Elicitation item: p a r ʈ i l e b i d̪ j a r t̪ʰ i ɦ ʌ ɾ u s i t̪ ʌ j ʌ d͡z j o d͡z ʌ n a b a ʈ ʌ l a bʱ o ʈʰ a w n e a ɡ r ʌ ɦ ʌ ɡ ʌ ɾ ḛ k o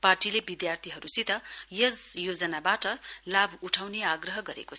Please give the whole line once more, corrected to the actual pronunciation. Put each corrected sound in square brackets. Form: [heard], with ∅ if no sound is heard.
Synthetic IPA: p a r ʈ i l e b i d̪ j a r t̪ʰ i ɦ ʌ ɾ u s i t̪ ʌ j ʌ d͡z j o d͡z ʌ n a b a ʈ ʌ l a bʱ [u] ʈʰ a w n e a ɡ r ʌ ɦ ʌ ɡ ʌ ɾ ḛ k o